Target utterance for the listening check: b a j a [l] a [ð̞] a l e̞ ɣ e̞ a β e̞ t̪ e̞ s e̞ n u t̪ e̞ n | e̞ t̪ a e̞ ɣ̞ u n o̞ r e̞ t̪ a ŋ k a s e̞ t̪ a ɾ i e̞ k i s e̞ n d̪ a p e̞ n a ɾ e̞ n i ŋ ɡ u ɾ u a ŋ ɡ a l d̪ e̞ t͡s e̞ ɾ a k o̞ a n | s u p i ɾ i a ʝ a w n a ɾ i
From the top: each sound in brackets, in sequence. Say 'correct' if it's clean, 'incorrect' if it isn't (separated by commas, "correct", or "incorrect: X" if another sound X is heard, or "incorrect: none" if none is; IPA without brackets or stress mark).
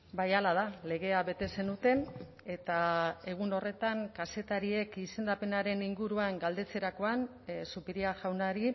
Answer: correct, correct